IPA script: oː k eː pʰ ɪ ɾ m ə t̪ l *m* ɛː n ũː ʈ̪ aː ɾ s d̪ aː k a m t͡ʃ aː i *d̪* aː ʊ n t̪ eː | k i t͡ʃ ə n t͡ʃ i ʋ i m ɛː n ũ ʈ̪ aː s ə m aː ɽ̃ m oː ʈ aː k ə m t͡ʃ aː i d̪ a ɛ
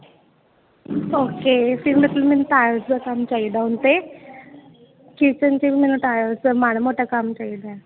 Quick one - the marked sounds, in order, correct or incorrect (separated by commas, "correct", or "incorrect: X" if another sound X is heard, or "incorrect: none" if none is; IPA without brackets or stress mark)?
correct, correct